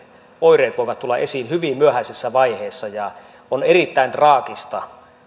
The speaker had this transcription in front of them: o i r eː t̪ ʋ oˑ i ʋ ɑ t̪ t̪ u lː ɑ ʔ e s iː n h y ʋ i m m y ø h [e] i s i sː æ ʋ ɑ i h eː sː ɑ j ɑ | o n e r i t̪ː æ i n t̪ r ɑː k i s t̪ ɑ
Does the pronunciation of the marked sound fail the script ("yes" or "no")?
yes